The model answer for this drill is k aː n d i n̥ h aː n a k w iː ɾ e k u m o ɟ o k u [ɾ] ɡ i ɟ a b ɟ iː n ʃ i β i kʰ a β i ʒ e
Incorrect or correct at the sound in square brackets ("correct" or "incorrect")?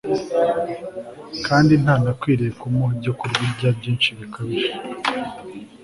correct